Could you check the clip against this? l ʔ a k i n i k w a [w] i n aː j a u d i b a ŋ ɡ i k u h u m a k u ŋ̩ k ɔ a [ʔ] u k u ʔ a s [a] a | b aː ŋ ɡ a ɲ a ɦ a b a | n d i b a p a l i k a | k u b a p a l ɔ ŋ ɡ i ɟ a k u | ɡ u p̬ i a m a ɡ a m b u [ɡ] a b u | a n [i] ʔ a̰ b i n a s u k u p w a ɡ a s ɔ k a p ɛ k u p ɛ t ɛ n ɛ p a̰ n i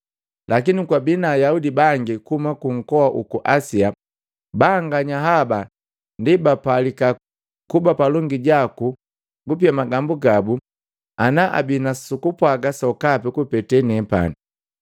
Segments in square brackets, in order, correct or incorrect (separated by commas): incorrect, correct, incorrect, correct, incorrect